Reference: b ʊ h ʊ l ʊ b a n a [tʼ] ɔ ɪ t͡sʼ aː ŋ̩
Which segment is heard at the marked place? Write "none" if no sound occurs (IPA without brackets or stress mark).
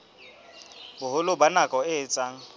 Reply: kʼ